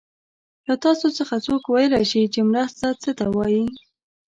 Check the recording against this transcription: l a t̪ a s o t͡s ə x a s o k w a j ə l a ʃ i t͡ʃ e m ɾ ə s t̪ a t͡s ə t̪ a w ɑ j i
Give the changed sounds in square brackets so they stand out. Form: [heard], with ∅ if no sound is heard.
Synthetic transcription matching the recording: l a t̪ [ɑ] s o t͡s ə x a [t͡s] o k w a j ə l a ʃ i t͡ʃ e m ɾ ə s t̪ a t͡s ə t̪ a w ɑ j i